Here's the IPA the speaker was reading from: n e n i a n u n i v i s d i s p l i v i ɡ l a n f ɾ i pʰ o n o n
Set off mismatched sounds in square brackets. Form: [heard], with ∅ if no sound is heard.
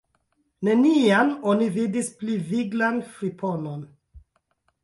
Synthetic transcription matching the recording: n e n i a n [o] n i v i [∅] d i s p l i v i ɡ l a n f ɾ i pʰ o n o n